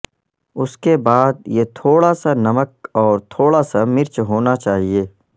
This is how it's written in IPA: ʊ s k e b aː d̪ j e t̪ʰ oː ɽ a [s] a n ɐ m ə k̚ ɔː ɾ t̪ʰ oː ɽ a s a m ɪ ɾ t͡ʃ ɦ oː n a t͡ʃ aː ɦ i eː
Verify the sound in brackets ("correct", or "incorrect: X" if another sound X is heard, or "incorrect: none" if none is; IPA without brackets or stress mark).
correct